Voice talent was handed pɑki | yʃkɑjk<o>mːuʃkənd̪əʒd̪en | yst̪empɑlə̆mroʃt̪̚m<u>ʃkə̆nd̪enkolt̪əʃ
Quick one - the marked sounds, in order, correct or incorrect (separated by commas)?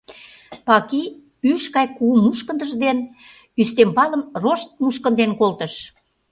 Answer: incorrect, correct